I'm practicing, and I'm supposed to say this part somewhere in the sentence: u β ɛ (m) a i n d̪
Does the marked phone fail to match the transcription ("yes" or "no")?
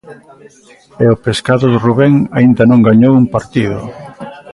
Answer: yes